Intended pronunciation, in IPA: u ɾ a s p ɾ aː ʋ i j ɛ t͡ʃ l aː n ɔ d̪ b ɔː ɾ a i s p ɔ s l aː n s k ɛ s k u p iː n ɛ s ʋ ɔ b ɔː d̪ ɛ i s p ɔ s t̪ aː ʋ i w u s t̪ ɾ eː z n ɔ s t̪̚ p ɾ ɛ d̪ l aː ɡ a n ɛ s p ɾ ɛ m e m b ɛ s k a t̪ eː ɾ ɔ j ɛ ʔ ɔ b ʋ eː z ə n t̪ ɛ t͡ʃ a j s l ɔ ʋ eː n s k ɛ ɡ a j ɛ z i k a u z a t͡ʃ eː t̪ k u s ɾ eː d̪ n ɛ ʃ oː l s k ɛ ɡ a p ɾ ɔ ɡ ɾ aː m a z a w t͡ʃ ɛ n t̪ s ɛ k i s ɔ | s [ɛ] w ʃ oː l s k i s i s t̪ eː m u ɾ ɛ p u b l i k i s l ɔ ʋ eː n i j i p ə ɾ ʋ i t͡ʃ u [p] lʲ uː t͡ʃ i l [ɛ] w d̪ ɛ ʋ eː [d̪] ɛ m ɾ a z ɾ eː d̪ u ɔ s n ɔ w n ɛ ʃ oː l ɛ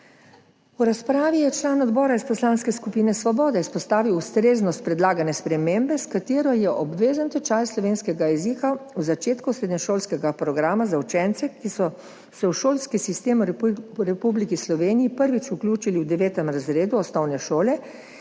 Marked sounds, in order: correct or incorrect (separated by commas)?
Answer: correct, incorrect, incorrect, incorrect